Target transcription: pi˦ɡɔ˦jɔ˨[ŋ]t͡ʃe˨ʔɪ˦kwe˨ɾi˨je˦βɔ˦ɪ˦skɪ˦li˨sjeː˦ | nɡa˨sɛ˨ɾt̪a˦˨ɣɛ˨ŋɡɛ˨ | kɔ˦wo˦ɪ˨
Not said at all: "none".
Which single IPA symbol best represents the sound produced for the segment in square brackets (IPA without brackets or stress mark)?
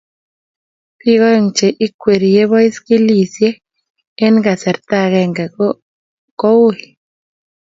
ŋ